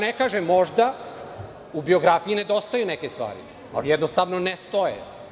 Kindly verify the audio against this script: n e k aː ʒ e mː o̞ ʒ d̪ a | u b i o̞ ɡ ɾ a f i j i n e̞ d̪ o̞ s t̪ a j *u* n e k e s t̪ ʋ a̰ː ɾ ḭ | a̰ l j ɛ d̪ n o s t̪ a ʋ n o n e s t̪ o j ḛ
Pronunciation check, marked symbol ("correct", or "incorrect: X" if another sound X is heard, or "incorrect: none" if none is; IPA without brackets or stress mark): correct